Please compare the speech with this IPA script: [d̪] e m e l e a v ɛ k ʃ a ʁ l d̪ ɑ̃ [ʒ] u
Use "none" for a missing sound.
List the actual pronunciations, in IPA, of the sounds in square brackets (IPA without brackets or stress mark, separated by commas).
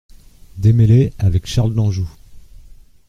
d̪, ʒ